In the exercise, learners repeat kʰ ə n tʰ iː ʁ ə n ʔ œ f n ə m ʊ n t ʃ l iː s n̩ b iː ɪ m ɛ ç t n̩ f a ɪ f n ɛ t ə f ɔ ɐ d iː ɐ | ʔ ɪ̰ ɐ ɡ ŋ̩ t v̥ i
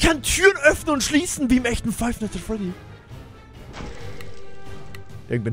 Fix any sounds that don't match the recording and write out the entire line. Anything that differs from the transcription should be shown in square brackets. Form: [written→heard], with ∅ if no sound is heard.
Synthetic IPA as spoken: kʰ [ə→a] n tʰ [iː→yː] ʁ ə n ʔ œ f n ə [m→n] ʊ n t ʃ l iː s n̩ [b→v] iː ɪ m ɛ ç t n̩ f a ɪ f n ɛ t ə f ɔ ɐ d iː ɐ | ʔ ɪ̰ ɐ ɡ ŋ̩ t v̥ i